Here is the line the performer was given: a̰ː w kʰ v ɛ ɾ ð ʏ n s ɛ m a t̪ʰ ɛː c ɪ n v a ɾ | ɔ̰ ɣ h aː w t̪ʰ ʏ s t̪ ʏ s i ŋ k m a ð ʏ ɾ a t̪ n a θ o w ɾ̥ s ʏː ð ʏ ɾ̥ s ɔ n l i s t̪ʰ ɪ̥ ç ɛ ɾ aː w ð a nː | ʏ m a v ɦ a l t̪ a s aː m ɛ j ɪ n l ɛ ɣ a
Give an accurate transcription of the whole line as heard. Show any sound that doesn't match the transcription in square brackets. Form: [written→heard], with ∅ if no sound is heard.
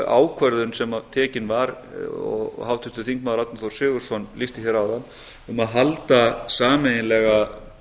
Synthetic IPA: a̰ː w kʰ v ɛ ɾ ð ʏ n s ɛ m a t̪ʰ ɛː c ɪ n v a ɾ | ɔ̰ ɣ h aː w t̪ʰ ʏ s t̪ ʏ [s→θ] i ŋ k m a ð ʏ ɾ a t̪ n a θ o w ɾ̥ s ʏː [ð→ɣ] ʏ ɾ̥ s ɔ n l i s [t̪ʰ→t̪] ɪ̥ ç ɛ ɾ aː w ð a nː | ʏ m a [v→ð] ɦ a l t̪ a s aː m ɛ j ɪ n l ɛ ɣ a

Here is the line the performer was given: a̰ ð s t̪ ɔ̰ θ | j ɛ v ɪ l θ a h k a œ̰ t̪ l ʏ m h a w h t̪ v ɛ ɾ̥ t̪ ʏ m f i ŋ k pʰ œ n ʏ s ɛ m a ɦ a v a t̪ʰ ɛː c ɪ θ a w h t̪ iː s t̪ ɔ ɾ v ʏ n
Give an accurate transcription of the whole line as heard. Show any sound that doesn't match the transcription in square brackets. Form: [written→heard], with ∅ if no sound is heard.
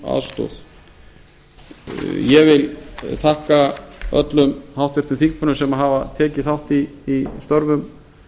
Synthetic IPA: a̰ ð s t̪ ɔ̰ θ | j ɛ v ɪ l θ a h k a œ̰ t̪ l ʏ m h a w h t̪ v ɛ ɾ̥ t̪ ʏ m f i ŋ k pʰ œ n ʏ s ɛ m a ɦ a v a t̪ʰ ɛː c ɪ θ a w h t̪ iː s t̪ ɔ ɾ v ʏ [n→m]

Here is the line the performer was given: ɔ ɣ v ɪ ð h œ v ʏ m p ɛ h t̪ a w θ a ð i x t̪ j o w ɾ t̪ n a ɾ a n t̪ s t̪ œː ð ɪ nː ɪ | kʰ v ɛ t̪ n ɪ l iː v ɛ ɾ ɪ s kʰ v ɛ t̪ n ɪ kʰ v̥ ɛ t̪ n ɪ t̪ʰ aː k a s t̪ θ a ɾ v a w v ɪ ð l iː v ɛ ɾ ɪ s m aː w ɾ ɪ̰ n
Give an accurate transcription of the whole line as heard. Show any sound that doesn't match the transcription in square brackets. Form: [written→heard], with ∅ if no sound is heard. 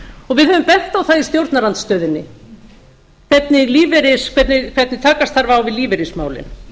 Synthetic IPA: ɔ ɣ v ɪ ð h œ v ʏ m p ɛ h t̪ a w θ a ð i [x→s] t̪ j o w ɾ t̪ n a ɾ a n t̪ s t̪ œː ð ɪ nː ɪ | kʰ v ɛ t̪ n ɪ l iː v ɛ ɾ ɪ s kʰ v ɛ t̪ n ɪ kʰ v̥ ɛ t̪ n ɪ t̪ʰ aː k a s t̪ θ a ɾ v a w v ɪ ð l iː v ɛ ɾ ɪ s m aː w [ɾ→l] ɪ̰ n

